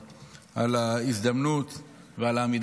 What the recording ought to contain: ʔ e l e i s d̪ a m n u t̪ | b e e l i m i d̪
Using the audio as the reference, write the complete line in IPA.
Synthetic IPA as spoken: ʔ a l a i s d̪ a m n u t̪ | v e a l a m i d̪